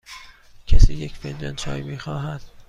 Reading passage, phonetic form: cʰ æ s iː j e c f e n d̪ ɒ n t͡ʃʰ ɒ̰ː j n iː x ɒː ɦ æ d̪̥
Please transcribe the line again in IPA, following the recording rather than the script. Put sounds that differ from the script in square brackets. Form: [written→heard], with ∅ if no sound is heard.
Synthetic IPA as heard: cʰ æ s iː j e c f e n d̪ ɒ n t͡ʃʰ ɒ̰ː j [n→m] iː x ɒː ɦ æ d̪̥